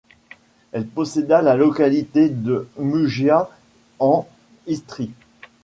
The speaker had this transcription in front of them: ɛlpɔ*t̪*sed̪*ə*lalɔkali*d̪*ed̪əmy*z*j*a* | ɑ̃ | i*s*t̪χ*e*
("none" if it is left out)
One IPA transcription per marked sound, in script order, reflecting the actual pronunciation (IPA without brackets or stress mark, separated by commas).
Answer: none, a, t̪, ʒ, a, s, i